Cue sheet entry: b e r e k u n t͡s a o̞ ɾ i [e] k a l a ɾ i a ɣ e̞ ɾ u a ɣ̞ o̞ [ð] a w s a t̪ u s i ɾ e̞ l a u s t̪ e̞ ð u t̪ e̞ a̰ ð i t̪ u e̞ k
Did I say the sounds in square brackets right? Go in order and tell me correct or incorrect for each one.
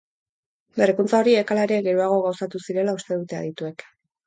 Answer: correct, incorrect: ɣ

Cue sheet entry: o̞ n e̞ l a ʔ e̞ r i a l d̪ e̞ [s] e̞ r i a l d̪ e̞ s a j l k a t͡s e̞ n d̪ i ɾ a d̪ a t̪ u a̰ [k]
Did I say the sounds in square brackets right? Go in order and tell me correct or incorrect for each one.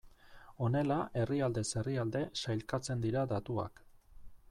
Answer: correct, correct

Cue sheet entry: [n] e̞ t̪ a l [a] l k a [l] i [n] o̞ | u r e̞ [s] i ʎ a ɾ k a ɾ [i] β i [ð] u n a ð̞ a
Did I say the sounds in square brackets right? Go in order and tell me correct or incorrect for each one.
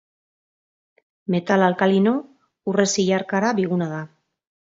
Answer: incorrect: m, correct, correct, correct, correct, incorrect: a, incorrect: ɣ

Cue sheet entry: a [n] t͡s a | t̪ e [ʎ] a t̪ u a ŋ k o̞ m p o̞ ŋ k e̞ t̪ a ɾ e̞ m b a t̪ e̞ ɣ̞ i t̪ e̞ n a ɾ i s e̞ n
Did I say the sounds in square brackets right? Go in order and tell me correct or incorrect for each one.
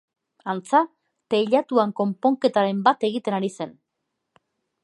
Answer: correct, correct

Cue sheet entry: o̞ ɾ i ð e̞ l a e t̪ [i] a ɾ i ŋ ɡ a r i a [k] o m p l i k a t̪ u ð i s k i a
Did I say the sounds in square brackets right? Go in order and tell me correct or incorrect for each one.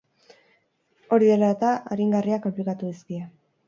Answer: incorrect: a, correct

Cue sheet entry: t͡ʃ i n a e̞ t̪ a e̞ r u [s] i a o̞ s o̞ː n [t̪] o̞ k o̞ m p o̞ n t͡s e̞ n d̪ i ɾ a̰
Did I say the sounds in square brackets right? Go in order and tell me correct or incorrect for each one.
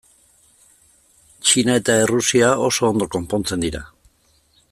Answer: correct, incorrect: d̪

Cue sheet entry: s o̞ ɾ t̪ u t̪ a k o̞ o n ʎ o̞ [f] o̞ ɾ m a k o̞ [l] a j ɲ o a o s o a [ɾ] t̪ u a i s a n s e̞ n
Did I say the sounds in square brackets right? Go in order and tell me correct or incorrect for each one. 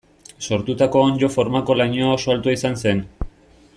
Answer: correct, correct, incorrect: l

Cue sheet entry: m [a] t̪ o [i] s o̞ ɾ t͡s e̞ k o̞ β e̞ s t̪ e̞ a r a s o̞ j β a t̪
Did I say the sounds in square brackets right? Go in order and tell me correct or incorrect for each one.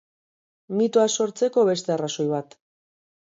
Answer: incorrect: i, incorrect: a

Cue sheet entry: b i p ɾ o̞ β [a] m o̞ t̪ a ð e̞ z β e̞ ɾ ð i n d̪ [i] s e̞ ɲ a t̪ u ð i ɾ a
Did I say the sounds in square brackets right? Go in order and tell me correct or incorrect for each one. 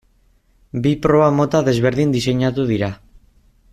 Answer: correct, correct

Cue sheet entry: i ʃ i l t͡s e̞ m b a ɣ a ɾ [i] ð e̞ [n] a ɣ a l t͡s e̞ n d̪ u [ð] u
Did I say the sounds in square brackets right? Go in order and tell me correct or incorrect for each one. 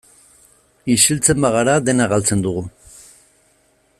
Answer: incorrect: a, correct, incorrect: ɣ

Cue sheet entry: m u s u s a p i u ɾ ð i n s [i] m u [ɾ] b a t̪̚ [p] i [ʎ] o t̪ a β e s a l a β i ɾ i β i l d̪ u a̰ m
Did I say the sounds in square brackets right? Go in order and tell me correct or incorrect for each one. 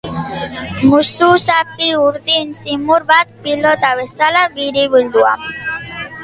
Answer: correct, correct, correct, incorrect: l

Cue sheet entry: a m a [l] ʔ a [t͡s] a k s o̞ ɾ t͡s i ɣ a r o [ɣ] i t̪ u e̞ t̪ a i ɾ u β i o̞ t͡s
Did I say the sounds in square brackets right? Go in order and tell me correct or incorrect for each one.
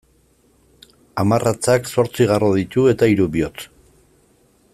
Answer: incorrect: r, correct, incorrect: ð

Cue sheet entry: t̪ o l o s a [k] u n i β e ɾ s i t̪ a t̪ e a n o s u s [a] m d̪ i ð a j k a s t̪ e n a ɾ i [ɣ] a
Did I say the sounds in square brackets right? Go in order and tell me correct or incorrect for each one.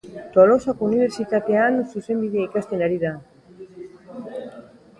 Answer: correct, incorrect: e, incorrect: ð

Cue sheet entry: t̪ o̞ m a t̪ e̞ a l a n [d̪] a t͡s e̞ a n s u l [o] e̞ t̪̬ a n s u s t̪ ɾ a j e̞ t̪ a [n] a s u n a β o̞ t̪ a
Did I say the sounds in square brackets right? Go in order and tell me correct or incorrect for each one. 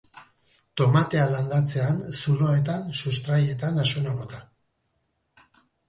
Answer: correct, correct, correct

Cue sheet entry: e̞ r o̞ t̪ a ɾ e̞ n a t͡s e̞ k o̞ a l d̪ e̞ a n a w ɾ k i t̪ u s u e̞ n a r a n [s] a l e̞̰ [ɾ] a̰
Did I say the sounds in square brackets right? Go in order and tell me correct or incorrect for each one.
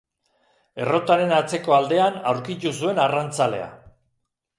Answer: incorrect: t͡s, incorrect: none

